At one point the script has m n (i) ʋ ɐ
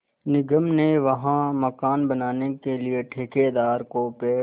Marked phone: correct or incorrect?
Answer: incorrect: e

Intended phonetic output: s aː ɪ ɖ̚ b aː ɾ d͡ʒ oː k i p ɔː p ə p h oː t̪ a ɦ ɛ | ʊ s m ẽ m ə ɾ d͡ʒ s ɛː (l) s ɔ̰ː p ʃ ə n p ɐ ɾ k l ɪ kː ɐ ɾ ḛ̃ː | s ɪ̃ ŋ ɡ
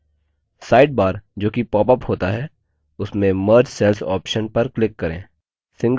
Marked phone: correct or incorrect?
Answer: correct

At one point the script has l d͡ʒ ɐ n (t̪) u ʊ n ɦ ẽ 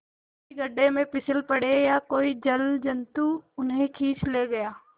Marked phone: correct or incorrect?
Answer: correct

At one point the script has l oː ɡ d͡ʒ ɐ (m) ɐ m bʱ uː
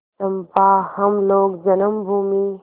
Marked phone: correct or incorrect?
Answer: incorrect: n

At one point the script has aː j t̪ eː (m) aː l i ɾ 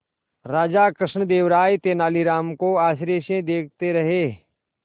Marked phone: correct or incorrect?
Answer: incorrect: n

